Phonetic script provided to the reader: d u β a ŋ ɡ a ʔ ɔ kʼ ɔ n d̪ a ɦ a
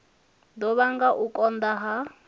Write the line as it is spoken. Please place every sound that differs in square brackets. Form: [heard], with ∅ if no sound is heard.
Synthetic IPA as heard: d [ɔ] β a ŋ ɡ a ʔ [u] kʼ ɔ n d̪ a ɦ a